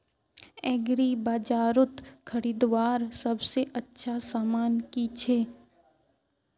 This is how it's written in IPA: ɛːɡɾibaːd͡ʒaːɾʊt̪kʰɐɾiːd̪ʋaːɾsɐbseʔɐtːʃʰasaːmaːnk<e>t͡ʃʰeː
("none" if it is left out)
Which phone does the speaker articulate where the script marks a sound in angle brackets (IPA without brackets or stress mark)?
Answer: i